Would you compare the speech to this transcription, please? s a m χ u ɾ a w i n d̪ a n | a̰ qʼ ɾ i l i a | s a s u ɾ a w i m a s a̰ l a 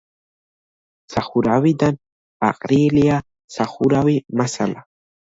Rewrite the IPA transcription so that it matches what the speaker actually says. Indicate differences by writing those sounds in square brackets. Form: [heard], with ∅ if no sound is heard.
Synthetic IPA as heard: s a [∅] χ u ɾ a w i [∅] d̪ a n | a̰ qʼ ɾ i l i a | s a [χ] u ɾ a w i m a s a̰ l a

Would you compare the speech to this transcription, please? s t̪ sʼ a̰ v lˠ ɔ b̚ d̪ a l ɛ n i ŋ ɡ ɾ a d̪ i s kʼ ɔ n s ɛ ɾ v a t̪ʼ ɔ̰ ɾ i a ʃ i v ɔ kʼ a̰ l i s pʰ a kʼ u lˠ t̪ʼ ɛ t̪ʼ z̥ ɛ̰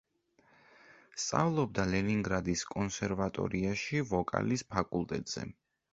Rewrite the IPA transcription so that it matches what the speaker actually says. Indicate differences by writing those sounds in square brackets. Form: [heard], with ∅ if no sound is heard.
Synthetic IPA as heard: s t̪ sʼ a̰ v lˠ ɔ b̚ d̪ a l ɛ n i ŋ ɡ ɾ a d̪ i s kʼ ɔ n s ɛ ɾ v a t̪ʼ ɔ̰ ɾ i a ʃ i v ɔ kʼ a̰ l i s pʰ a kʼ u lˠ t̪ʼ ɛ t̪ʼ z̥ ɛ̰

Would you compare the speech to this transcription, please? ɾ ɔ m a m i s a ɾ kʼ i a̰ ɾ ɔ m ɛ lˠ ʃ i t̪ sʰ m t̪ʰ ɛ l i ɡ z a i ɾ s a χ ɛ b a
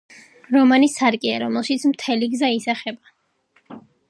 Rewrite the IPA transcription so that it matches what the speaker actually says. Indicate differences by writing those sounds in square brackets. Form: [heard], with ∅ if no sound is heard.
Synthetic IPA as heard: ɾ ɔ m a [n] i s a ɾ kʼ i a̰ ɾ ɔ m ɛ lˠ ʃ i t̪ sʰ m t̪ʰ ɛ l i ɡ z a i [∅] s a χ ɛ b a

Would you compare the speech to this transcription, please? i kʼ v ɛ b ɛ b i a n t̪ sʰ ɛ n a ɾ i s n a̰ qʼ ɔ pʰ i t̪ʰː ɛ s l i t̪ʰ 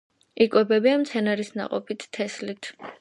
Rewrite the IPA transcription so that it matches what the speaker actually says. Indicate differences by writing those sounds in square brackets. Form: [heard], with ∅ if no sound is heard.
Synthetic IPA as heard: i kʼ [w] ɛ b ɛ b i a [m] t̪ sʰ ɛ n a ɾ i s n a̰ qʼ ɔ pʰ i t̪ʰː ɛ s l i t̪ʰ

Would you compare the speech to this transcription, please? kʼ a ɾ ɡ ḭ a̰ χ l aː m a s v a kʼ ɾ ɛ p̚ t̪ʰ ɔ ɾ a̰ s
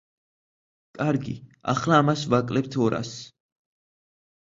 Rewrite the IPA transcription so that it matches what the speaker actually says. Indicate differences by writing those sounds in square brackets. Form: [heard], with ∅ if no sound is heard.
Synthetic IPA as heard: kʼ a ɾ ɡ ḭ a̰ χ l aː m a s v a kʼ [l] ɛ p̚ t̪ʰ ɔ ɾ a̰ s

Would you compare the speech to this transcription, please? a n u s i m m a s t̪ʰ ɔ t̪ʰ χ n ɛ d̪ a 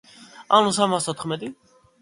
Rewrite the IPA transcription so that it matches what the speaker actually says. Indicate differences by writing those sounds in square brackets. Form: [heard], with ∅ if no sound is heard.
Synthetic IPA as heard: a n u s [a] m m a s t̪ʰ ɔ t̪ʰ χ [m] ɛ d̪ [i]

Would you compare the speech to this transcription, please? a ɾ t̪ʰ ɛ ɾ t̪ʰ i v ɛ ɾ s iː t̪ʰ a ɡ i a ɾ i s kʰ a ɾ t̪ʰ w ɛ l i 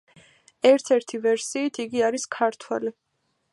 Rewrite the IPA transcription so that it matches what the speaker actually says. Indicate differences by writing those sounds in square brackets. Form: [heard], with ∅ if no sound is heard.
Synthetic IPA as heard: [ɛ] ɾ t̪ʰ ɛ ɾ t̪ʰ i v ɛ ɾ s iː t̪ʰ [i] ɡ i a ɾ i s kʰ a ɾ t̪ʰ w ɛ l i

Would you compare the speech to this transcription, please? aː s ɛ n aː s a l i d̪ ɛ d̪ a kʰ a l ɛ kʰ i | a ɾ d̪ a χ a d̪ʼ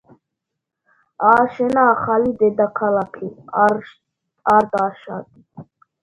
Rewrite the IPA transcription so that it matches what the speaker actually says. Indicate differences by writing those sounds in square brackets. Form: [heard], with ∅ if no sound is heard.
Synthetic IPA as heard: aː [ʃ] ɛ n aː [χ] a l i d̪ ɛ d̪ a kʰ a l [a] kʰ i | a ɾ d̪ a [ʃ] a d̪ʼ

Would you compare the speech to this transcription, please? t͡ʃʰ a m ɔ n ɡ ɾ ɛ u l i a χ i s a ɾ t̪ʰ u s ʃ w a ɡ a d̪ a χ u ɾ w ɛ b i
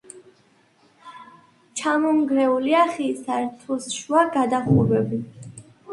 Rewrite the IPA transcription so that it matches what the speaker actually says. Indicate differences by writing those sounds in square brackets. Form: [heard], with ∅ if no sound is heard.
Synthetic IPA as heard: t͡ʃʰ a m ɔ [ŋ] ɡ ɾ ɛ u l i a χ i s a ɾ t̪ʰ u s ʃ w a ɡ a d̪ a χ u ɾ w ɛ b i

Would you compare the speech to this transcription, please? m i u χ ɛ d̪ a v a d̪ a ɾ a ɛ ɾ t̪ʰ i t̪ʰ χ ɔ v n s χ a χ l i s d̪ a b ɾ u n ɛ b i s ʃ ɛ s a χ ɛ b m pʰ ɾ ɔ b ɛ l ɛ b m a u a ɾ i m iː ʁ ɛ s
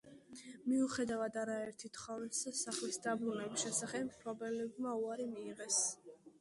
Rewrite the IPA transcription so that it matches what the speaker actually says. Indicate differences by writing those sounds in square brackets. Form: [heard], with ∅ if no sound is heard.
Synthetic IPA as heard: m i u χ ɛ d̪ a v a d̪ a ɾ a ɛ ɾ t̪ʰ i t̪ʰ χ ɔ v n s [s] a χ l i s d̪ a b ɾ u n ɛ b i s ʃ ɛ s a χ ɛ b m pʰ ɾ ɔ b ɛ l ɛ b m a u a ɾ i m iː ʁ ɛ s

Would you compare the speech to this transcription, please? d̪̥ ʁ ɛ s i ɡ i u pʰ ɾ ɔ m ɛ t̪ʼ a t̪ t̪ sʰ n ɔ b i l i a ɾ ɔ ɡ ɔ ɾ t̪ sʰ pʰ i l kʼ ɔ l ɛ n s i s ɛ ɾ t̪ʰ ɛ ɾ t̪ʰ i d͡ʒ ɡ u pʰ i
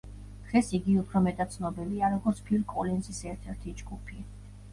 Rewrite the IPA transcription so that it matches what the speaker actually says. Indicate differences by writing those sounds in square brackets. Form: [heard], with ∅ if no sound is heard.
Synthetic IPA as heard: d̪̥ ʁ ɛ s i ɡ i u pʰ ɾ ɔ m ɛ t̪ʼ a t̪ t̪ sʰ n ɔ b i l i a ɾ ɔ ɡ ɔ ɾ t̪ sʰ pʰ i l kʼ ɔ l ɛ n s i s ɛ ɾ t̪ʰ ɛ ɾ t̪ʰ i d͡ʒ ɡ u pʰ i

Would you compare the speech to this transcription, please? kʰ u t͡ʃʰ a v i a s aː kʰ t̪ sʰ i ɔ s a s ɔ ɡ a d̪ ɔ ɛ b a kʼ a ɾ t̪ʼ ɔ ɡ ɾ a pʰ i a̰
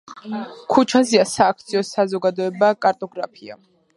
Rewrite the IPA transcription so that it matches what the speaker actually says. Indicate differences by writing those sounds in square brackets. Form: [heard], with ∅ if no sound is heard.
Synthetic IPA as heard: kʰ u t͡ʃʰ a [z] i a s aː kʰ t̪ sʰ i ɔ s a [z] ɔ ɡ a d̪ ɔ ɛ b a kʼ a ɾ t̪ʼ ɔ ɡ ɾ a pʰ i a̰

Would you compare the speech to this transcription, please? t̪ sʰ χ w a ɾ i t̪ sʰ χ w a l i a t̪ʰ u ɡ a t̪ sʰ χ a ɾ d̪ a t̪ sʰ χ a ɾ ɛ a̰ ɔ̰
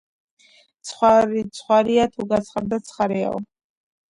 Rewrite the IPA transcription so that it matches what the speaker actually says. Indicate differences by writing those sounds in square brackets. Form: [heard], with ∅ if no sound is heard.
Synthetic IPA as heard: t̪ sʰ χ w a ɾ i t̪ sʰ χ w a [ɾ] i a t̪ʰ u ɡ a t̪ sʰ χ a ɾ d̪ a t̪ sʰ χ a ɾ ɛ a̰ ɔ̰

